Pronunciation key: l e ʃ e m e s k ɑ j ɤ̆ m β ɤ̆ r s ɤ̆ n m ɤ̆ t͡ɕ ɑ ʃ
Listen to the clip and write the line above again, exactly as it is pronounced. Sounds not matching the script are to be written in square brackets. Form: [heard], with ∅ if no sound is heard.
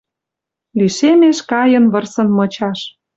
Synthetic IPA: l [i] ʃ e m e [ʃ] k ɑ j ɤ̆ [n] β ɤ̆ r s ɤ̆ n m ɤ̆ t͡ɕ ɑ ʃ